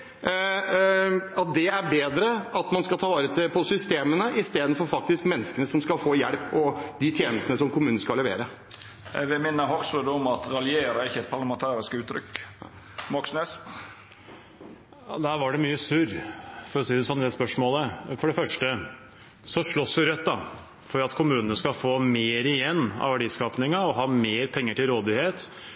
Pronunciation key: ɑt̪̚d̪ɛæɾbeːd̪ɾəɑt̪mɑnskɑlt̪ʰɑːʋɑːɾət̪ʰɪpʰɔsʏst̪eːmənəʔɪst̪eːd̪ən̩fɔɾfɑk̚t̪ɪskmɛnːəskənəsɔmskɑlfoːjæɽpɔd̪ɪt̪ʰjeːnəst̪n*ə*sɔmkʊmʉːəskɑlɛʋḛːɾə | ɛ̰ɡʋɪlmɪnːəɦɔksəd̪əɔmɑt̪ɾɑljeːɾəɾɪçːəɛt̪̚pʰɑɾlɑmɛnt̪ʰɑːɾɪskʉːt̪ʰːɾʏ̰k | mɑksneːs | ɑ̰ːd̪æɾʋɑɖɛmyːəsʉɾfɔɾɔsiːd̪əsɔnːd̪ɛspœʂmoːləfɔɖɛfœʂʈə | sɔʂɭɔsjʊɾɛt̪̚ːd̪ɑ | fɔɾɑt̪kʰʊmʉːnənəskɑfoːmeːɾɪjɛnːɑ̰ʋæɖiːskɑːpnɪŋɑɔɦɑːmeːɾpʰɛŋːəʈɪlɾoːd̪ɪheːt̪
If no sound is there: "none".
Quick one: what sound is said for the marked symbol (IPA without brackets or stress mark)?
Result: ə